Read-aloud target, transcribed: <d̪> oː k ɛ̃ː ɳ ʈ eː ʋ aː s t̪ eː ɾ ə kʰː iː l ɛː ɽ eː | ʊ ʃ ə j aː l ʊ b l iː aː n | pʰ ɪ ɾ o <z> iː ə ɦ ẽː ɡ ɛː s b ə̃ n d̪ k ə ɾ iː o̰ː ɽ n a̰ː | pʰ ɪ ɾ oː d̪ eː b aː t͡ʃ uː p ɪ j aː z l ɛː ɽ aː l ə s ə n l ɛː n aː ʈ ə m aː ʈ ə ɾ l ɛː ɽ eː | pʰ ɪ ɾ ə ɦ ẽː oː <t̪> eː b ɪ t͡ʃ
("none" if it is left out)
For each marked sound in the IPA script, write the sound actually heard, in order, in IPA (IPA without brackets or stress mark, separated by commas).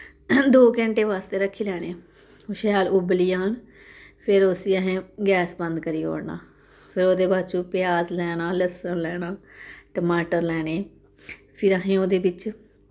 d̪, s, d̪